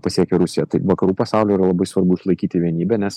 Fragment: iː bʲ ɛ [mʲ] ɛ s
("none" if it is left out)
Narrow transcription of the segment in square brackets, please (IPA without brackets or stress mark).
nʲ